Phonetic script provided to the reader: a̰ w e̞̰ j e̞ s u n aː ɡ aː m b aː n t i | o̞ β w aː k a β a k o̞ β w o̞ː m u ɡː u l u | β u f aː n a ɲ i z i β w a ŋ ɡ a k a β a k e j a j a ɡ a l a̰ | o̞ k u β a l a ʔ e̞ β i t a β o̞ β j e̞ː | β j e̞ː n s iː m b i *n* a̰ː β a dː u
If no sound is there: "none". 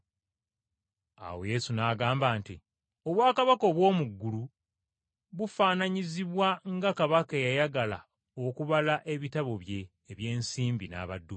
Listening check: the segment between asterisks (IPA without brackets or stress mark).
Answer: n